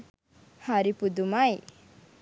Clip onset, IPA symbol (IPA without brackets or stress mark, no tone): h